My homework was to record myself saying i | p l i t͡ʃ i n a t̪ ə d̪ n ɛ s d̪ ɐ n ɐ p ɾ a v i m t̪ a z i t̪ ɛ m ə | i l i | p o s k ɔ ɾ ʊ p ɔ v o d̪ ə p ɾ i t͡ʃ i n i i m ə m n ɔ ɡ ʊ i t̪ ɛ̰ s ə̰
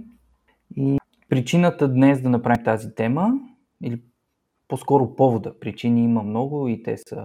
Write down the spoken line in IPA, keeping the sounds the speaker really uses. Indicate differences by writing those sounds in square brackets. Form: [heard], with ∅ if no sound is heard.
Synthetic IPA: i | p [ɾ] i t͡ʃ i n [ə] t̪ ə d̪ n ɛ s d̪ ɐ n ɐ p ɾ a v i m t̪ a z i t̪ ɛ m ə | i l i | p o s k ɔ ɾ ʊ p ɔ v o d̪ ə p ɾ i t͡ʃ i n i i m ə m n ɔ ɡ ʊ i t̪ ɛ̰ s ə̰